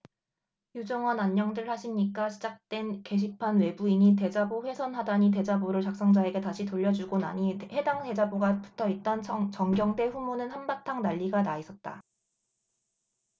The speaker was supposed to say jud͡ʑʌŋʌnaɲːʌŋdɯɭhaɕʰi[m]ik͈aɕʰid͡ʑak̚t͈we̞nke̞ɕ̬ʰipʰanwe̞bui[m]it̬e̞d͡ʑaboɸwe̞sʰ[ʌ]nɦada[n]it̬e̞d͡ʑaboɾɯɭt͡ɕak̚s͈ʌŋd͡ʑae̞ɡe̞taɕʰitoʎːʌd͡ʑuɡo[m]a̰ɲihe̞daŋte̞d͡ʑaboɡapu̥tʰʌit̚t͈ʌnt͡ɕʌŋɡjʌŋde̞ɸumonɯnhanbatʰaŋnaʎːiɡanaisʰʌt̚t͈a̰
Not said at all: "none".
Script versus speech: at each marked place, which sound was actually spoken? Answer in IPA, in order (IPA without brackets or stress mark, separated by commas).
ɲ, ɲ, ʌ, ɲ, n